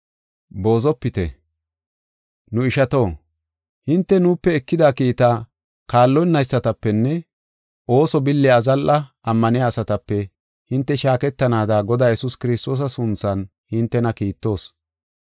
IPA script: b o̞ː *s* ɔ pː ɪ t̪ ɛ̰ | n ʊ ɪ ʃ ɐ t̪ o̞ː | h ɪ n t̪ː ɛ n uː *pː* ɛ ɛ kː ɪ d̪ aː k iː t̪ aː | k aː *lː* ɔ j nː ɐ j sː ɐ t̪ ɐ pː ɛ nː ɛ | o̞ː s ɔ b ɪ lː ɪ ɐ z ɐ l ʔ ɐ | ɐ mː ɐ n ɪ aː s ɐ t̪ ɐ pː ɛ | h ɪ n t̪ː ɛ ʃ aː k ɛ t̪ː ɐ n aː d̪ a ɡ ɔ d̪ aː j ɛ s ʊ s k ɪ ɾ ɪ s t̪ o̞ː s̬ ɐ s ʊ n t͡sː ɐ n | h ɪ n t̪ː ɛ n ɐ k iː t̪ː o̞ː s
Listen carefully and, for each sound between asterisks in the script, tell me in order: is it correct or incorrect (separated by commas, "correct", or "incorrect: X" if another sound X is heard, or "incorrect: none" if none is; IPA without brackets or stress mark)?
incorrect: z, correct, correct